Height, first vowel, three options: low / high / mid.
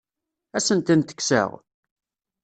low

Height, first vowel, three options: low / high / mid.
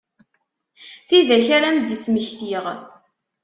high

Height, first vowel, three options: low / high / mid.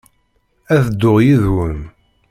low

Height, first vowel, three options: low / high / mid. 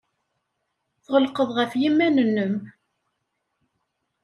mid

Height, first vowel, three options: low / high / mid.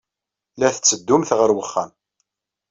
low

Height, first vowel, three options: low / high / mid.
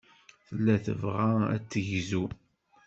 mid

